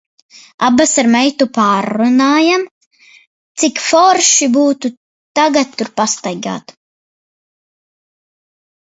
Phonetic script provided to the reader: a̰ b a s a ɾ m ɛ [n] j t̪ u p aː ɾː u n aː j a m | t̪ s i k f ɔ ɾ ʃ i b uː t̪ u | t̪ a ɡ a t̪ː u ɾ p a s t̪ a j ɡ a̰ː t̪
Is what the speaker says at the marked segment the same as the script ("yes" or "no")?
no